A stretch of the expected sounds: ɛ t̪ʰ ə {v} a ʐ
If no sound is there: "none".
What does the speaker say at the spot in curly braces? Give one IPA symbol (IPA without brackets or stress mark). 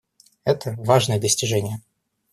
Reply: v